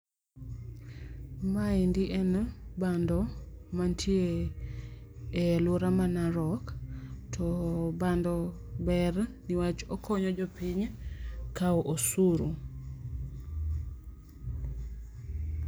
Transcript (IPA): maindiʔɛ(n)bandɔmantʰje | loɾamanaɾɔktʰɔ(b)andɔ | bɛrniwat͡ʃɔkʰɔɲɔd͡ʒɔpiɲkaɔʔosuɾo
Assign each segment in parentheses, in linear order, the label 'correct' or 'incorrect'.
correct, correct

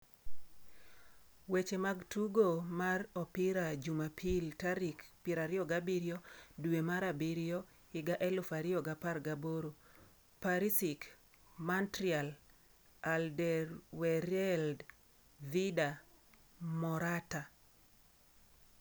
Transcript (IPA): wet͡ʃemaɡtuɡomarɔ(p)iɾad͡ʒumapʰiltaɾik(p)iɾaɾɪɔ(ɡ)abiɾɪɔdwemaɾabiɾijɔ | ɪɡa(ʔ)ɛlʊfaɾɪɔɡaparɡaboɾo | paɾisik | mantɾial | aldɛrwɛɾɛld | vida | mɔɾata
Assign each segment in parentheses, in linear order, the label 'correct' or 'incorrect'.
correct, correct, correct, correct

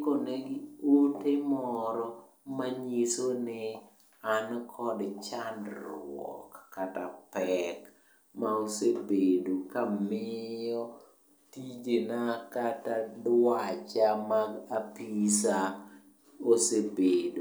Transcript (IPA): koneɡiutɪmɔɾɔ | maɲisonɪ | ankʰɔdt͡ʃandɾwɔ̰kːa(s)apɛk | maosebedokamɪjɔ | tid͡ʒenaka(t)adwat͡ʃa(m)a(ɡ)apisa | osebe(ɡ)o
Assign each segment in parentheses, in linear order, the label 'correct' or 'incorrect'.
incorrect: t, correct, correct, correct, incorrect: d

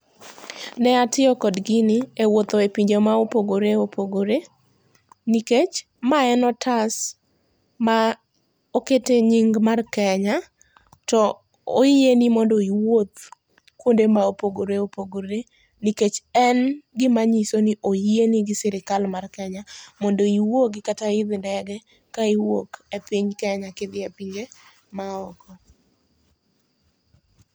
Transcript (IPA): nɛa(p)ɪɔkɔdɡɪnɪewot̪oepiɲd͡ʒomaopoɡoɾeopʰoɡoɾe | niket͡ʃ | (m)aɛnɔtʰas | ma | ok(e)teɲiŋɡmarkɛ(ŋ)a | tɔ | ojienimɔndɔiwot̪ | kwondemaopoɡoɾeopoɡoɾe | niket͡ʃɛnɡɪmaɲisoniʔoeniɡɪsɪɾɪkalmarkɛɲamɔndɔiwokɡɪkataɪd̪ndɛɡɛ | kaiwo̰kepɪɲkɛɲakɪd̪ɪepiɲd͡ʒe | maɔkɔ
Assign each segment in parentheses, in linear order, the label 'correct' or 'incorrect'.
incorrect: t, correct, correct, incorrect: ɲ

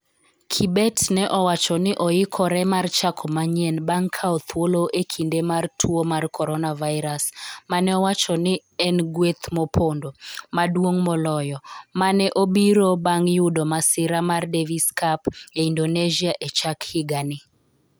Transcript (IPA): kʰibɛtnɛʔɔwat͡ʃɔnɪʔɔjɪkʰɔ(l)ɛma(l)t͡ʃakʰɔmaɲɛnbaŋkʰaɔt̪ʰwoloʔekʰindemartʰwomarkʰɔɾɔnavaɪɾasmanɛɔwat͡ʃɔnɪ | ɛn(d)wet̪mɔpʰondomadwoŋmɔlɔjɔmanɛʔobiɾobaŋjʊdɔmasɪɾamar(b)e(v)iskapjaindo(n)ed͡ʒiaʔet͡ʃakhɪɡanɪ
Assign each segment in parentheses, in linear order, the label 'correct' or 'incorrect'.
incorrect: ɾ, incorrect: r, incorrect: ɡ, incorrect: d, correct, correct

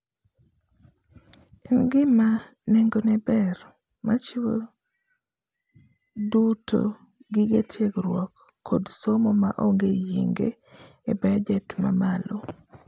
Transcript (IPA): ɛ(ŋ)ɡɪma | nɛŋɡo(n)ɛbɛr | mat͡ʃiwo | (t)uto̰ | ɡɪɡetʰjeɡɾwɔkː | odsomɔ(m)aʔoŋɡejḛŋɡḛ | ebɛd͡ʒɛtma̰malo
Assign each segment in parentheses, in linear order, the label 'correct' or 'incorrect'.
incorrect: n, correct, incorrect: d, correct

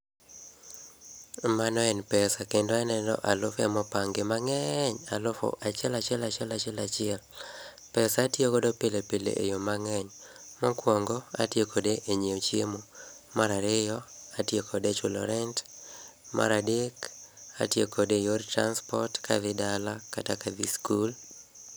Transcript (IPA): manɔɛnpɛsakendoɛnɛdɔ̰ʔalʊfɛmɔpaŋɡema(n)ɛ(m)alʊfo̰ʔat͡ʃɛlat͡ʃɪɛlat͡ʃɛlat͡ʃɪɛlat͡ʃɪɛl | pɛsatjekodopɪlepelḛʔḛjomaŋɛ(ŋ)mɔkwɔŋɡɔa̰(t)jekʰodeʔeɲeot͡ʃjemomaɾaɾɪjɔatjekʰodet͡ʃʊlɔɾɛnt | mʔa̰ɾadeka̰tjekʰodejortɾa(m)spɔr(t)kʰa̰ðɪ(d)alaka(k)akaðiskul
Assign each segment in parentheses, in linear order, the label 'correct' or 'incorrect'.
incorrect: ŋ, incorrect: ɲ, incorrect: ɲ, correct, incorrect: n, correct, correct, incorrect: t

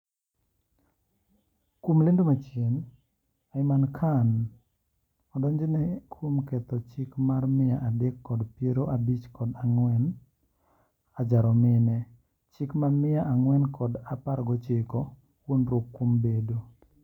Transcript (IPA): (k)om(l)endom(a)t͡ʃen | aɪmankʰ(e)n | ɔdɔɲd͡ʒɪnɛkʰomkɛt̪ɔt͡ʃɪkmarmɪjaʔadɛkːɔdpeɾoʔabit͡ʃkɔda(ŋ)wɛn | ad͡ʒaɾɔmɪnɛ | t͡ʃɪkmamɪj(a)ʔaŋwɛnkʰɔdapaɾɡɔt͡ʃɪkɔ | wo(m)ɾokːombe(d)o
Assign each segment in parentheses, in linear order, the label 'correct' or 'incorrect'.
correct, correct, correct, incorrect: a, correct, correct, incorrect: n, correct

